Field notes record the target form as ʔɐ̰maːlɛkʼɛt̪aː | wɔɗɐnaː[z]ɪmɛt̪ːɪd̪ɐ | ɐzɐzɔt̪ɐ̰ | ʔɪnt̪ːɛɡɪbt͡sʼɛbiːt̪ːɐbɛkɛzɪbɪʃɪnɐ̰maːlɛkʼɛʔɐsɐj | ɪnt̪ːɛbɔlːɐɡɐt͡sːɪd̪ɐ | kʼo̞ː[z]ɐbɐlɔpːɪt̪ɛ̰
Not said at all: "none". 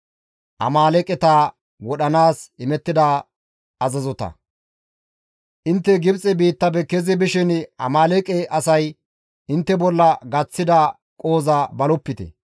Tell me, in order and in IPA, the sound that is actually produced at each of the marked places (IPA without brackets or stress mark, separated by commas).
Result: s, z